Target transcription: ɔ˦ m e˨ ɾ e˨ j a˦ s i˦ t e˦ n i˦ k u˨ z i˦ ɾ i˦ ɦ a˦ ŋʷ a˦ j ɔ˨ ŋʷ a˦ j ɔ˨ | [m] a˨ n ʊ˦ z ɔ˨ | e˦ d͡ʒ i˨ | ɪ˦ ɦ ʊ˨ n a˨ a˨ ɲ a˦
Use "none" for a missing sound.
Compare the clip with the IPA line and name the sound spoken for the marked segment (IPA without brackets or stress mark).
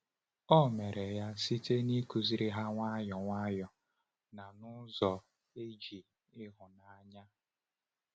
n